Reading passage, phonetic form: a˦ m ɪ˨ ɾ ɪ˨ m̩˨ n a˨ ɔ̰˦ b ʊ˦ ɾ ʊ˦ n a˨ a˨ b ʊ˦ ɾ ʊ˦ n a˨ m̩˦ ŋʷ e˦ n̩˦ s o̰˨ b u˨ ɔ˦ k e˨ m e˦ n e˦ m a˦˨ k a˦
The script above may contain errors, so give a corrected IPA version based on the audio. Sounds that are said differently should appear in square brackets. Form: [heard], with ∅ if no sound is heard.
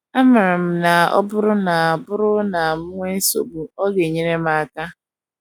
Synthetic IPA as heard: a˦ m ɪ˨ ɾ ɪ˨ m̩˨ n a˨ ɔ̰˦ b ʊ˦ ɾ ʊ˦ n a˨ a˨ b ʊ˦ ɾ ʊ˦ n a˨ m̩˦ ŋʷ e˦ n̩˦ s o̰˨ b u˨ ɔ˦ [ɡ] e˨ [ɲ] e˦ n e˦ m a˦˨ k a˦